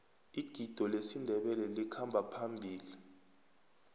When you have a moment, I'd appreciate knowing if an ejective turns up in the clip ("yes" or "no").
no